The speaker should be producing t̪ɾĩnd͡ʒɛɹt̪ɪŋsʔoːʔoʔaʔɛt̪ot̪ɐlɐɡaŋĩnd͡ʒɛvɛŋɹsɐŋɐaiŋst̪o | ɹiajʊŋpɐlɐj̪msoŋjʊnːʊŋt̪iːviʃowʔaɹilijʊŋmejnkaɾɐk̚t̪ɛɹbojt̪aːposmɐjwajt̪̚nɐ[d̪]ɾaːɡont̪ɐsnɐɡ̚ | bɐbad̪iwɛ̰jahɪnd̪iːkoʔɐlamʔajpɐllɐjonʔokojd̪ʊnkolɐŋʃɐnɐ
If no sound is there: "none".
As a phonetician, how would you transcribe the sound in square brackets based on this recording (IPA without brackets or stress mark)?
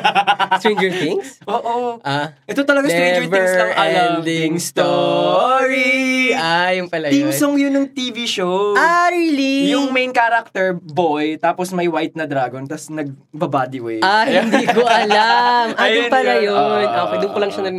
d̪